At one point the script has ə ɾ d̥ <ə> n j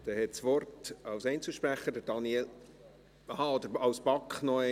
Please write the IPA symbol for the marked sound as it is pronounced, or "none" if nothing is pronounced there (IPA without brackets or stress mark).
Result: ɑ